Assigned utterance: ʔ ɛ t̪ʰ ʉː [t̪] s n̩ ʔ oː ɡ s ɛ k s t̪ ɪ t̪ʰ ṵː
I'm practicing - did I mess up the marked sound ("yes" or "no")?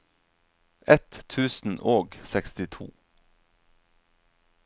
yes